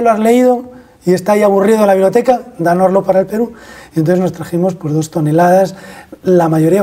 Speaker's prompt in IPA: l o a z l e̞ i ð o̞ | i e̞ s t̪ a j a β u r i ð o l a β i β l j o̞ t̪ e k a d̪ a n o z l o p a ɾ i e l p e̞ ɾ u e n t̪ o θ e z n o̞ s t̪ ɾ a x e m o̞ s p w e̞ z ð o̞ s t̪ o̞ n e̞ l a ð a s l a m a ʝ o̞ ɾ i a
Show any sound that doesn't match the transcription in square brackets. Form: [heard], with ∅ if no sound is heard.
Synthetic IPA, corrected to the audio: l o a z l e̞ i ð o̞ | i e̞ s t̪ a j a β u r i ð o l a β i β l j o̞ t̪ e k a d̪ a n o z l o p a ɾ [a] e l p e̞ ɾ u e n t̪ o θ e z n o̞ s t̪ ɾ a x e m o̞ s p w e̞ z ð o̞ s t̪ o̞ n e̞ l a ð a s l a m a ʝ o̞ ɾ i a

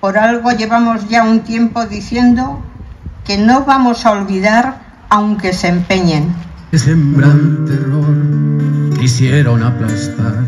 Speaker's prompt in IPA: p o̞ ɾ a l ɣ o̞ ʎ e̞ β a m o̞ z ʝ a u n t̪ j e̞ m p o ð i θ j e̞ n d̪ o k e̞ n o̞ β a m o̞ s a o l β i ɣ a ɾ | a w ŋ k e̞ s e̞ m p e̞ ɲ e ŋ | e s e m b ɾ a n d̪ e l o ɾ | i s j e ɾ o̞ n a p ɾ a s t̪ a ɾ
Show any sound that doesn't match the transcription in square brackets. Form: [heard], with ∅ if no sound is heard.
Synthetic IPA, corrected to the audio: p o̞ ɾ a l ɣ o̞ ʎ e̞ β a m o̞ z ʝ a u n t̪ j e̞ m p o ð i θ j e̞ n d̪ o k e̞ n o̞ β a m o̞ s a o l β i [ð] a ɾ | a w ŋ k e̞ s e̞ m p e̞ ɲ e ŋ | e s e m b ɾ a n [t̪] e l o ɾ | i s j e ɾ o̞ n a p [l] a s t̪ a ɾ

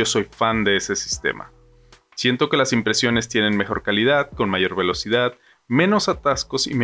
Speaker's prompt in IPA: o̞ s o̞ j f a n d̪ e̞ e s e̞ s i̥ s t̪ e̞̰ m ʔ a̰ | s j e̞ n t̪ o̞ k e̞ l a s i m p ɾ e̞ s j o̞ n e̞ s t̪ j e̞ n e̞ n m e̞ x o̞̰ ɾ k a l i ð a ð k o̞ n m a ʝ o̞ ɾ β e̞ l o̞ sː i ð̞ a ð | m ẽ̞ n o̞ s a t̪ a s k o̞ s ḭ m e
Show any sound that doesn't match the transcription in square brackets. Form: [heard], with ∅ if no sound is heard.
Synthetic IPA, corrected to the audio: o̞ s o̞ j f a n d̪ e̞ e s e̞ s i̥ s t̪ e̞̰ m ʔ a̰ | s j e̞ n t̪ o̞ k e̞ l a s i m p ɾ e̞ s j o̞ n e̞ s t̪ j e̞ n e̞ n m e̞ x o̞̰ ɾ k a l i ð a ð k o̞ n m a ʝ o̞ ɾ β e̞ l o̞ [s] i ð̞ a ð | m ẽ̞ n o̞ s a t̪ a s k o̞ s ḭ m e

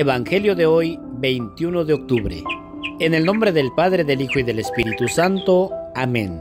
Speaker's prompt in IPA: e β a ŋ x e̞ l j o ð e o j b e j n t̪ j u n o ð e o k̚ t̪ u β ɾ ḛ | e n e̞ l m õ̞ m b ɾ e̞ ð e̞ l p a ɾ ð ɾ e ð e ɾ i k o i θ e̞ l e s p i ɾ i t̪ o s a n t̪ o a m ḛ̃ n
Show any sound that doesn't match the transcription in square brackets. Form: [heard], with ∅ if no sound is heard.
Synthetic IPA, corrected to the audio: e β a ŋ x e̞ l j o ð e o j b e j n t̪ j u n o ð e o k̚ t̪ u β ɾ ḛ | e n e̞ l [n] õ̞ m b ɾ e̞ ð e̞ l p a [∅] ð ɾ e ð e [l] i [x] o i [ð] e̞ l e s p i ɾ i t̪ [u] s a n t̪ o a m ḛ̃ n

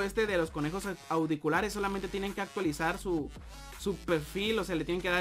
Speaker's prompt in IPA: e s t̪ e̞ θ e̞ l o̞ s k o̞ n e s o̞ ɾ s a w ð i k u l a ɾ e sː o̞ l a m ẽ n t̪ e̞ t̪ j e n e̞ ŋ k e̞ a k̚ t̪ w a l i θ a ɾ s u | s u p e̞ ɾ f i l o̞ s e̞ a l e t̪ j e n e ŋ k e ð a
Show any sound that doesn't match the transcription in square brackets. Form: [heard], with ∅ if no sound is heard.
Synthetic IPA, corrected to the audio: e s t̪ e̞ [ð] e̞ l o̞ s k o̞ n e [x] o̞ [∅] s a w ð i k u l a ɾ e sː o̞ l a m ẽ n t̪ e̞ t̪ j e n e̞ ŋ k e̞ a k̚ t̪ w a l i [s] a ɾ s u | s u p e̞ ɾ f i l o̞ s e̞ a l e t̪ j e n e ŋ k e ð a

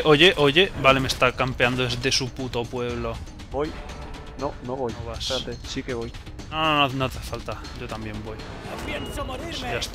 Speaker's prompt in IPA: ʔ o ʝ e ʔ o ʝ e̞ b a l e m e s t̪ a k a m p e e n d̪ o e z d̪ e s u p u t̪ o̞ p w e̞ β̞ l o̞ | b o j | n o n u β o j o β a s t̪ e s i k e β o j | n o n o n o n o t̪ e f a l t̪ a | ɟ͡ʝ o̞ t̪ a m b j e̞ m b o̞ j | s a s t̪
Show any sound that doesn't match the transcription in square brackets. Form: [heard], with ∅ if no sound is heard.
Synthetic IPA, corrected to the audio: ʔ o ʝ e ʔ o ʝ e̞ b a l e m e s t̪ a k a m p e [a] n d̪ o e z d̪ e s u p u t̪ o̞ p w e̞ β̞ l o̞ | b o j | n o n [o] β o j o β a s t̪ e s i k e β o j | n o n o n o n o t̪ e f a l t̪ a | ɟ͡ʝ o̞ t̪ a m b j e̞ m b o̞ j | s a s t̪

